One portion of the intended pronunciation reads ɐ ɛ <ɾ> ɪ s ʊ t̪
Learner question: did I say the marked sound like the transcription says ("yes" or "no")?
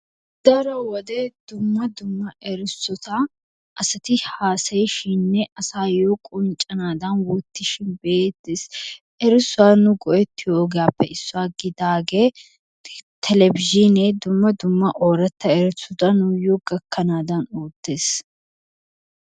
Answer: yes